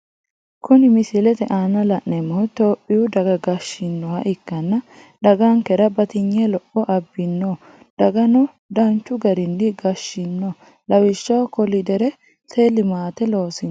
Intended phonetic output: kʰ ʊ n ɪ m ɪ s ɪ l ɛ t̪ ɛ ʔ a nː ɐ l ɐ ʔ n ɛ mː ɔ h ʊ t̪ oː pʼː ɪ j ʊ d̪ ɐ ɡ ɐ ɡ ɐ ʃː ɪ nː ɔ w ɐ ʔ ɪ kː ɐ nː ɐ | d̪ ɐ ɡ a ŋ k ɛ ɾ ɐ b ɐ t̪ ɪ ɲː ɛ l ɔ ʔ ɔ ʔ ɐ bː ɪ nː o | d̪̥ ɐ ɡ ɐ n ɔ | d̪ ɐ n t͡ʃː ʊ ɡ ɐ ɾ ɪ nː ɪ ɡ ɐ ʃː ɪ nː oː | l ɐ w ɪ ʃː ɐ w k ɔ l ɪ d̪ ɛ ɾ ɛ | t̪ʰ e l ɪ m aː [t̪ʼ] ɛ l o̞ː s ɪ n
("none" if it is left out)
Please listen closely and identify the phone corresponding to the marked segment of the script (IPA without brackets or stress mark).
t̪